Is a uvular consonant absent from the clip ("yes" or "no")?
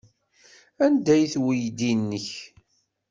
yes